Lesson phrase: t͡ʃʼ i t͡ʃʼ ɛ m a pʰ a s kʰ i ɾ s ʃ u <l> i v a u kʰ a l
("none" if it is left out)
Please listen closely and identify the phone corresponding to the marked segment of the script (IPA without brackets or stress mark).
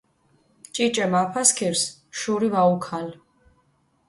ɾ